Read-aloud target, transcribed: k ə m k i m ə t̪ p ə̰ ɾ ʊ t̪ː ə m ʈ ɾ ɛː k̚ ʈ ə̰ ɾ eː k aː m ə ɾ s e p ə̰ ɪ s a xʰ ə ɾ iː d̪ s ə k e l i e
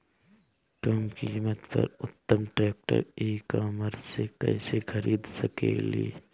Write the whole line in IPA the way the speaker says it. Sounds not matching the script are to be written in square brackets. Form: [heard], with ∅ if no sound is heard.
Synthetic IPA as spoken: k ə m k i m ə t̪ p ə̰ ɾ ʊ t̪ː ə m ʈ ɾ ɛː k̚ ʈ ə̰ ɾ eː k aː m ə ɾ s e [k] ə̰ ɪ s [e] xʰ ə ɾ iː d̪ s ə k e l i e